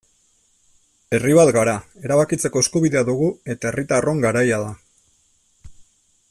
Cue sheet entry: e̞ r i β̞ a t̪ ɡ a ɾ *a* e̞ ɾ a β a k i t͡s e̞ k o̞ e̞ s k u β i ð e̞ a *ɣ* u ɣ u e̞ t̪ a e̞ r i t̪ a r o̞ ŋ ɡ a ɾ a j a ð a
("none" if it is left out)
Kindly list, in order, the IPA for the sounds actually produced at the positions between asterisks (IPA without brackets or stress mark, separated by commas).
a, ð